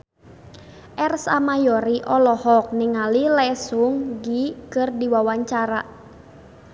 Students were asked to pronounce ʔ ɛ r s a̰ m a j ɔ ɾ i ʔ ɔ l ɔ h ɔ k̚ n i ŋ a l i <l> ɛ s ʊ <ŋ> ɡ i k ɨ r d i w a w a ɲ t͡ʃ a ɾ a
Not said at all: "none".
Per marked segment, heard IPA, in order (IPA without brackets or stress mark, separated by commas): l, ŋ